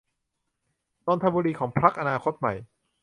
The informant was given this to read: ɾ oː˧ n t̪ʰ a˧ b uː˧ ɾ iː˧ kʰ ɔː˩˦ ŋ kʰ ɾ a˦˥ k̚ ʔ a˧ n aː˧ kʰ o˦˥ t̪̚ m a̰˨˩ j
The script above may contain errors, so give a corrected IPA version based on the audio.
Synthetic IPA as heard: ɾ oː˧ n t̪ʰ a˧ b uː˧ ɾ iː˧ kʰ ɔː˩˦ ŋ pʰ ɾ a˦˥ k̚ ʔ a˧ n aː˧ kʰ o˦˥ t̪̚ m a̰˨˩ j